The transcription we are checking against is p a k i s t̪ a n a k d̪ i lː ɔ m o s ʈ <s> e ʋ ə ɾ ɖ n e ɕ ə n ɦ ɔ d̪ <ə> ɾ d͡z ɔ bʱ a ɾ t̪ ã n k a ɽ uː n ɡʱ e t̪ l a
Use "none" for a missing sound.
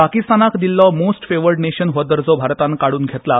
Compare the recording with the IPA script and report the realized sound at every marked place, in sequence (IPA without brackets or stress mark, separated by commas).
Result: f, ə